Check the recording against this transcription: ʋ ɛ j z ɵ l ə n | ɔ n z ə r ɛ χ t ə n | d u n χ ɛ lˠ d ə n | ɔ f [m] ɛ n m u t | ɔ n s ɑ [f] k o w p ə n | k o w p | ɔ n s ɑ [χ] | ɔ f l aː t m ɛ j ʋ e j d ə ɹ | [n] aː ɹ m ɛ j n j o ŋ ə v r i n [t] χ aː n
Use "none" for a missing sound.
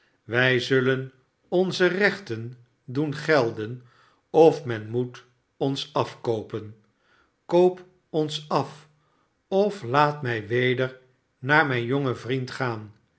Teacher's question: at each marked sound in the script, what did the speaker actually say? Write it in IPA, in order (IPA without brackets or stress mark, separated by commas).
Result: m, f, f, n, t